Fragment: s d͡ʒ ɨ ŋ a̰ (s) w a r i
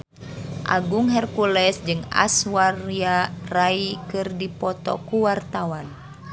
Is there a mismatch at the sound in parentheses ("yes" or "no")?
no